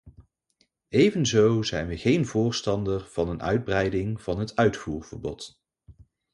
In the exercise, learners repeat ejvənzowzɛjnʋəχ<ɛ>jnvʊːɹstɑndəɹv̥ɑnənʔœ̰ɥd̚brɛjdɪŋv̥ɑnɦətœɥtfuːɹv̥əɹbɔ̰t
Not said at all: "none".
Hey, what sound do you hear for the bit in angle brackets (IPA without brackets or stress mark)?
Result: e